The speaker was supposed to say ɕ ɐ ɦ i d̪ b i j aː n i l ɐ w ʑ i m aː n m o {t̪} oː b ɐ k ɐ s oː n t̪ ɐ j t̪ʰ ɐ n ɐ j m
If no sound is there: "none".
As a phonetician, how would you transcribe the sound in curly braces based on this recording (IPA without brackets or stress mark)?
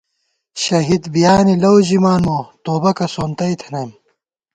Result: t̪